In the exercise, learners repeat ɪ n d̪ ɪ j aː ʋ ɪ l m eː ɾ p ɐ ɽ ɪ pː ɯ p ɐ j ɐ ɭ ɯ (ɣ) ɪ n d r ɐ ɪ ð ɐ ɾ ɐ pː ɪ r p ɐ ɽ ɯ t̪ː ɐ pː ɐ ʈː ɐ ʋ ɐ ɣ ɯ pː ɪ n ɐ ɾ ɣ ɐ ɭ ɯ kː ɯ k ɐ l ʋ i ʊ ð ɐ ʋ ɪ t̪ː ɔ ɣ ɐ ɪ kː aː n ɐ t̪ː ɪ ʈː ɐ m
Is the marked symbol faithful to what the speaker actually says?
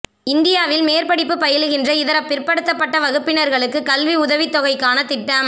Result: yes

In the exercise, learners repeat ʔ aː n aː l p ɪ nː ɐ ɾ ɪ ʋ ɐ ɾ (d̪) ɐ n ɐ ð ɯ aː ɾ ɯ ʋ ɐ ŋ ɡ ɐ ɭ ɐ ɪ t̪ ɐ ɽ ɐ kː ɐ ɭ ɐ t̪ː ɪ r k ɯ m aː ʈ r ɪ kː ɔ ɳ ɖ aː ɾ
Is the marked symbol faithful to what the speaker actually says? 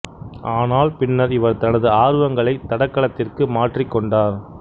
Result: no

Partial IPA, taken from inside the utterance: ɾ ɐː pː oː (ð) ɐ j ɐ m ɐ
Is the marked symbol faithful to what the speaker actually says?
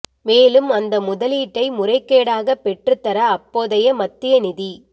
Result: yes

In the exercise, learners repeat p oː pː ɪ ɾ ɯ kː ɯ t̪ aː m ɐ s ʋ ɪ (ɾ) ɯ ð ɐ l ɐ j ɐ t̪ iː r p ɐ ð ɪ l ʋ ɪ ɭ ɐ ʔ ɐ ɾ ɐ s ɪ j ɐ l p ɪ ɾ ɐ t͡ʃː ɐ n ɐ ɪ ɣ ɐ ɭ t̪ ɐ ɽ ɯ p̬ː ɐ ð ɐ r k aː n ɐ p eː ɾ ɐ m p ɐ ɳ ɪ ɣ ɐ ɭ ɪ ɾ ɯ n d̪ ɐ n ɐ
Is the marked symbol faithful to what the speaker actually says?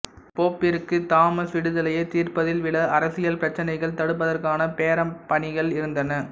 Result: no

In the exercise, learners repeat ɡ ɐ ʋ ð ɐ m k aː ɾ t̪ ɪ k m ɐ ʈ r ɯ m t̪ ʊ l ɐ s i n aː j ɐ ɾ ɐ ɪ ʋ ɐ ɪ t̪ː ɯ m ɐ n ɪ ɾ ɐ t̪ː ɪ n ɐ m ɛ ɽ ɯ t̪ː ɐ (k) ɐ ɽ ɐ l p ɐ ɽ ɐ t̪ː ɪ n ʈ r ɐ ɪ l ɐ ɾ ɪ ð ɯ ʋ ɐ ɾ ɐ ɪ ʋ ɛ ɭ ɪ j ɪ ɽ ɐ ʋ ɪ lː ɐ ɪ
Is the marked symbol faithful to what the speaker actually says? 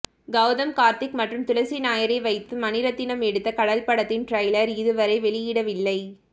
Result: yes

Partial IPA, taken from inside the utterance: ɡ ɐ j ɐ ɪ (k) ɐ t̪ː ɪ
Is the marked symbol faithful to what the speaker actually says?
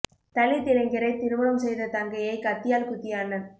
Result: yes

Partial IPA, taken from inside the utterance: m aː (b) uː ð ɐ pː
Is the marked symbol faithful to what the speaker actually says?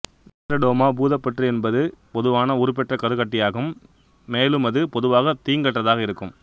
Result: yes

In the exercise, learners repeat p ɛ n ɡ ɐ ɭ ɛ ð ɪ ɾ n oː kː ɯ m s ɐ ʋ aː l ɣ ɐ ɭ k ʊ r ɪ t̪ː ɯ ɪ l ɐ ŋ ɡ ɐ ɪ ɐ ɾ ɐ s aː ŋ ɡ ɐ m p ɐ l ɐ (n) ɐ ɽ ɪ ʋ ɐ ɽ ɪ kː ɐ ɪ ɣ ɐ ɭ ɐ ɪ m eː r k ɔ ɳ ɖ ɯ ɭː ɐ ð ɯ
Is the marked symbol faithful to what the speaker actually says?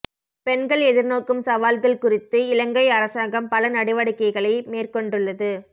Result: yes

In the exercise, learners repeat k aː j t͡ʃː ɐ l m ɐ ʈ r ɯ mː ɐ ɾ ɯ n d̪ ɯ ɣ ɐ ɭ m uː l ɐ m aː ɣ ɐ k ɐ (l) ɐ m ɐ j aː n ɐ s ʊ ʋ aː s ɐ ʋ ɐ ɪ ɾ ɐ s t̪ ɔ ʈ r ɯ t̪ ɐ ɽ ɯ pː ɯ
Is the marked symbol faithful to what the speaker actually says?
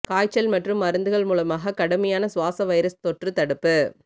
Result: no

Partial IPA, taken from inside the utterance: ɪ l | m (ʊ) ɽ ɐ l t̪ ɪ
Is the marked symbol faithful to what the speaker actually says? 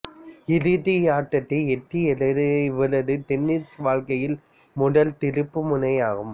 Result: yes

